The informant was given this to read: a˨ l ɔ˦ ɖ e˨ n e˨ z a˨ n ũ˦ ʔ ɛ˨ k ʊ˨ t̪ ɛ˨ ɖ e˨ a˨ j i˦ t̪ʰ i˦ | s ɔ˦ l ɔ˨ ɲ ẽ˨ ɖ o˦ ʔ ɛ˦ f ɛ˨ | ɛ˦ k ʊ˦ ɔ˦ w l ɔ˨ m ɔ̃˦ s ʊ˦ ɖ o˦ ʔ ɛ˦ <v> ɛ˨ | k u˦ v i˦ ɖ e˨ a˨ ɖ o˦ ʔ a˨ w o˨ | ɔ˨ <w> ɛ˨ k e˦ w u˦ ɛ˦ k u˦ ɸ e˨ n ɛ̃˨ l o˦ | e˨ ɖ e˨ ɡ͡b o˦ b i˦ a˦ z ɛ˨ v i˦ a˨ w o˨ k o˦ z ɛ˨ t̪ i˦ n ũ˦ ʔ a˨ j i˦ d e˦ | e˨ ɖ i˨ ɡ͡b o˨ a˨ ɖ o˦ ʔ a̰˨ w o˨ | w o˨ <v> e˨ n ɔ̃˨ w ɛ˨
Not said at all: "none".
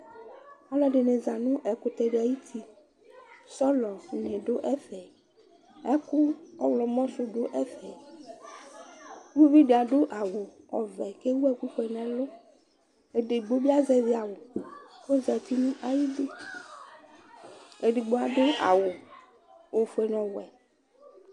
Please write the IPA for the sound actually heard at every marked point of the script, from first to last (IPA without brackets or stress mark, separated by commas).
f, v, f